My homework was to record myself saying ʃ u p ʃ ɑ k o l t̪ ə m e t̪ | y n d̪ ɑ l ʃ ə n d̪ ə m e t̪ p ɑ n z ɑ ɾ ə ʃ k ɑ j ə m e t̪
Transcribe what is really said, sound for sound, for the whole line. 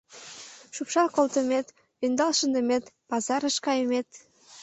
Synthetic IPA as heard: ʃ u p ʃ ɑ k o l t̪ ə m e t̪ | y n d̪ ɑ l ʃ ə n d̪ ə m e t̪ p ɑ z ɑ ɾ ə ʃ k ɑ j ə m e t̪